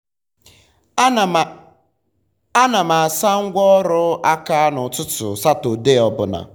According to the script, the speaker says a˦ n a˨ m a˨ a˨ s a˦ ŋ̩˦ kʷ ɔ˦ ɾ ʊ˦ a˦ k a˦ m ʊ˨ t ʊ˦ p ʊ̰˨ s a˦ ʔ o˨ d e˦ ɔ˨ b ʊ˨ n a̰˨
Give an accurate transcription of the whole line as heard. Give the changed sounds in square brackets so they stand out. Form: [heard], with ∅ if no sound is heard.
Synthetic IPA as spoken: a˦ n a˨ m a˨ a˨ s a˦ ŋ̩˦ [ɡʷ] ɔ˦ ɾ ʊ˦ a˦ k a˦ [n] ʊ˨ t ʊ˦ [t] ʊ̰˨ s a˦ [t] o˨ d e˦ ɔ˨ b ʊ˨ n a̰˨